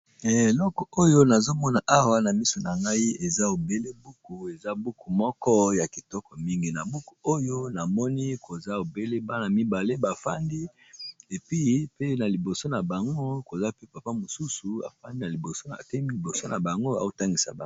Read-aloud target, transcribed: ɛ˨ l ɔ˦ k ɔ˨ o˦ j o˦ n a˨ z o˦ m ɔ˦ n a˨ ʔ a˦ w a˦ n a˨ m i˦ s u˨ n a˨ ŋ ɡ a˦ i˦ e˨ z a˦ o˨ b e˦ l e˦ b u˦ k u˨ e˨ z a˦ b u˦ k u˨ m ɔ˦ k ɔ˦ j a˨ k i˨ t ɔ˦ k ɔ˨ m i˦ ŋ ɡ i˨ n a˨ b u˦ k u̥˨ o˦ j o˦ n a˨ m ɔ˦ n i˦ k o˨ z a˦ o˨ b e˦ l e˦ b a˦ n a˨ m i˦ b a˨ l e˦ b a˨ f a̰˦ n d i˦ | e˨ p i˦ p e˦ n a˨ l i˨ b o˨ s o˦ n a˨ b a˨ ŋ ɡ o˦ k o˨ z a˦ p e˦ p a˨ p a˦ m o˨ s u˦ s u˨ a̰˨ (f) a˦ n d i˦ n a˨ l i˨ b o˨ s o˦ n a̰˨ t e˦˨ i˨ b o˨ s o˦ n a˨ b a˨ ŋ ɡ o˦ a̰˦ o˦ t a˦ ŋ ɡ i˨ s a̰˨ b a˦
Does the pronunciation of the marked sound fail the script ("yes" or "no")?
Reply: no